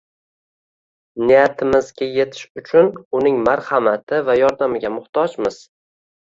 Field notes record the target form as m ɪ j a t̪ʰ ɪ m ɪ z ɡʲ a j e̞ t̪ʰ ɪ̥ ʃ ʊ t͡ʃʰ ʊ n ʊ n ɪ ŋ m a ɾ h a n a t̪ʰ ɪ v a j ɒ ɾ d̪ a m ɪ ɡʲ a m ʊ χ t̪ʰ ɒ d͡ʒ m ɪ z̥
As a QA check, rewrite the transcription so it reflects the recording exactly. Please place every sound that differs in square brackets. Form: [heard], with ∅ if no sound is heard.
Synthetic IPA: [n] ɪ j a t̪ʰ ɪ m ɪ z ɡʲ a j e̞ t̪ʰ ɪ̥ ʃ ʊ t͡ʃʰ ʊ n ʊ n ɪ ŋ m a ɾ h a [m] a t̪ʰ ɪ v a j ɒ ɾ d̪ a m ɪ ɡʲ a m ʊ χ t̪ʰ ɒ d͡ʒ m ɪ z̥